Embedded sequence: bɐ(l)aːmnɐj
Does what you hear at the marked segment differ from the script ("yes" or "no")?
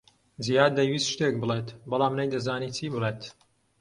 no